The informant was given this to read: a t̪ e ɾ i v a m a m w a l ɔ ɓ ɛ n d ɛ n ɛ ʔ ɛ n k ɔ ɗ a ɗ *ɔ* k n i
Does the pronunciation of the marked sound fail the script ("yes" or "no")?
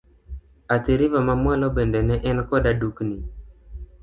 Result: yes